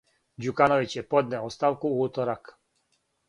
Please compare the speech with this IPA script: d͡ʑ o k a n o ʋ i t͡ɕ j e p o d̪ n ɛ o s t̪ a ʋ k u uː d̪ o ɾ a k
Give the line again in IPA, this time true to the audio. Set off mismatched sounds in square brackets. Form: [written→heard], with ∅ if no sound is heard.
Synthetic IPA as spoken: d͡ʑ [o→u] k a n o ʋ i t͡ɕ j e p o d̪ n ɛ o s t̪ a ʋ k u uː [d̪→t̪] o ɾ a k